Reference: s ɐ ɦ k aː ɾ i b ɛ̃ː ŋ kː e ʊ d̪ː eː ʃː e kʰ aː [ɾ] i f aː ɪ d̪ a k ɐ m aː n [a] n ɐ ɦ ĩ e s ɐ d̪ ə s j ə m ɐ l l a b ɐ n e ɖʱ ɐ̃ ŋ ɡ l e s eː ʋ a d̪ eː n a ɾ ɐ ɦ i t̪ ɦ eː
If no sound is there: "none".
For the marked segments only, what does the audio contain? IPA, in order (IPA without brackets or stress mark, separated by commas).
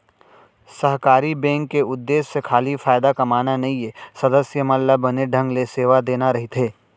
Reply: l, a